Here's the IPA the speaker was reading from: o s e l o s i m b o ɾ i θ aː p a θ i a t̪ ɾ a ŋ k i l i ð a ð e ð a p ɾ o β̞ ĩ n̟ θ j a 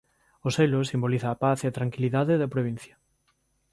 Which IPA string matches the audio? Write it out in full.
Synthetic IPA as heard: o s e l o s i m b o l i θ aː p a θ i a t̪ ɾ a ŋ k i l i ð a ð e ð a p ɾ o β̞ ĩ n̟ θ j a